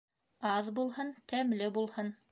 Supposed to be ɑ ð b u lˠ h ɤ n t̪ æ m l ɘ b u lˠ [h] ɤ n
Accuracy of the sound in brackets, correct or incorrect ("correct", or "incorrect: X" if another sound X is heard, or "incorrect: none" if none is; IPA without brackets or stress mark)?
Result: correct